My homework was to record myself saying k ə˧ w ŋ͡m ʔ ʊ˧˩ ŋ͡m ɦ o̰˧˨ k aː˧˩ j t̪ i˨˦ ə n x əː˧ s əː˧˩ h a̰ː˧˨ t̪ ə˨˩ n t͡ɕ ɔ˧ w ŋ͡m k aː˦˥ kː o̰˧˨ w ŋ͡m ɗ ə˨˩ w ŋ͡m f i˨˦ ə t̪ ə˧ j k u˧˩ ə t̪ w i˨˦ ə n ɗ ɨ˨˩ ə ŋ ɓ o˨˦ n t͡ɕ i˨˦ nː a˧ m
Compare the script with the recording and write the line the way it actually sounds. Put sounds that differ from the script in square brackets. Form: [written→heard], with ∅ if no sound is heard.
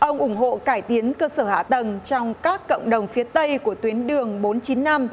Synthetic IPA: [k→ʔ] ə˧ w ŋ͡m ʔ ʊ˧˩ ŋ͡m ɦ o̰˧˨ k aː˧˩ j t̪ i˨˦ ə n [x→k] əː˧ s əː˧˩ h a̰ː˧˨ t̪ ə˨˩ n t͡ɕ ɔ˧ w ŋ͡m k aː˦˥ kː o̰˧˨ w ŋ͡m ɗ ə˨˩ w ŋ͡m f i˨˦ ə t̪ ə˧ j k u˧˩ ə t̪ w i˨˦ ə n ɗ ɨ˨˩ ə ŋ ɓ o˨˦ n t͡ɕ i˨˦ nː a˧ m